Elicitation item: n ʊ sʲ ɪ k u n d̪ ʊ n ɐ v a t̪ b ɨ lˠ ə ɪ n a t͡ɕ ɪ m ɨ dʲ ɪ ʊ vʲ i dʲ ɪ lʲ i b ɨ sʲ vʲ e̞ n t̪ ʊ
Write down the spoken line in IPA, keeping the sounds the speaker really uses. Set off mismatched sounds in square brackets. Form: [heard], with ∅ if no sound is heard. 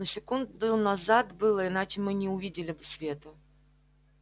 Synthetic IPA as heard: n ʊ sʲ ɪ k u n d̪ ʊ n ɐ [z] a t̪ b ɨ lˠ ə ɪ n a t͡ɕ ɪ m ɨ [nʲ] ɪ ʊ vʲ i dʲ ɪ lʲ [ɪ] b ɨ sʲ vʲ e̞ [∅] t̪ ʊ